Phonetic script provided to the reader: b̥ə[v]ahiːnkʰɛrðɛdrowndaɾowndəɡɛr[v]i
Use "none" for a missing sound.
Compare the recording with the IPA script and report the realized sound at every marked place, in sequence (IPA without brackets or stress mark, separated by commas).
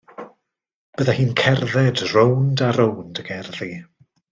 ð, ð